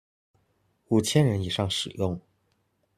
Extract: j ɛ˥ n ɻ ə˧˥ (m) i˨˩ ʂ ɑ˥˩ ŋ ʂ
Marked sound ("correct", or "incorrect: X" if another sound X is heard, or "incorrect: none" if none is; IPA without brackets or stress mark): incorrect: n